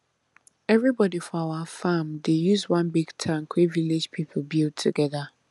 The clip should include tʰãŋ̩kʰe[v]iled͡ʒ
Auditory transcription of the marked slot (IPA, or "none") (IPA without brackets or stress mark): v